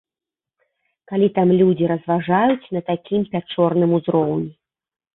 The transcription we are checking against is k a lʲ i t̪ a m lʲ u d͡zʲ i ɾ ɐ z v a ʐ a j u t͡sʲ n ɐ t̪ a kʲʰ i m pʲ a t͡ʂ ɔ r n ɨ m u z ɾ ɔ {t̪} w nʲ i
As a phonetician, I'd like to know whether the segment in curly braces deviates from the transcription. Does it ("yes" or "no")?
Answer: yes